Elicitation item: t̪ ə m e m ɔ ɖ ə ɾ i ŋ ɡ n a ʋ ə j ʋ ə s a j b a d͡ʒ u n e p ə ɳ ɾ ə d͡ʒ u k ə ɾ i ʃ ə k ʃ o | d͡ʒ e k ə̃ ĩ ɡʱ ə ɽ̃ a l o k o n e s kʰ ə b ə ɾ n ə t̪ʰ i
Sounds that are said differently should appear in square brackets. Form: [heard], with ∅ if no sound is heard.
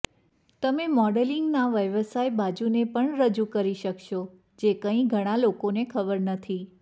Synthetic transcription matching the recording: t̪ ə m e m ɔ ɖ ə [l] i ŋ ɡ n a ʋ ə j ʋ ə s a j b a d͡ʒ u n e p ə ɳ ɾ ə d͡ʒ u k ə ɾ i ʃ ə k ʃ o | d͡ʒ e k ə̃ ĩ ɡʱ ə ɽ̃ a l o k o n e [∅] kʰ ə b ə ɾ n ə t̪ʰ i